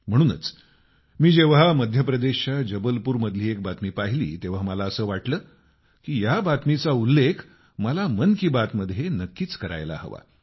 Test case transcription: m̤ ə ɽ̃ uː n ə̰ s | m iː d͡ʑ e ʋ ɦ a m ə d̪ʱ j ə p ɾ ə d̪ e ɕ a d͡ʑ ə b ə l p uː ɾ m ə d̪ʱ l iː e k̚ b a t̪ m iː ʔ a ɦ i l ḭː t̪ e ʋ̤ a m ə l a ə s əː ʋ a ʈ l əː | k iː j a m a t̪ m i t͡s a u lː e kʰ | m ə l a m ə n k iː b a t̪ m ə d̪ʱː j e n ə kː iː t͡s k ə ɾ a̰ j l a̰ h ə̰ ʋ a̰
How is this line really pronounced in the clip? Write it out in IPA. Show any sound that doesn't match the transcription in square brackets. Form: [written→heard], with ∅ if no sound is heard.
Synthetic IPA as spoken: m̤ ə ɽ̃ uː n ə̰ [s→t͡s] | m iː d͡ʑ e ʋ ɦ a m ə d̪ʱ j ə p ɾ ə d̪ e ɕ a d͡ʑ ə b ə l p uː ɾ m ə d̪ʱ l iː e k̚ b a t̪ m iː [ʔ→p] a ɦ i l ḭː t̪ e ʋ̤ a m ə l a ə s əː ʋ a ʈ l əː | k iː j a [m→b] a t̪ m i t͡s a u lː e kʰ | m ə l a m ə n k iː b a t̪ m ə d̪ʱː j e n ə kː iː t͡s k ə ɾ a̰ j l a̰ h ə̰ ʋ a̰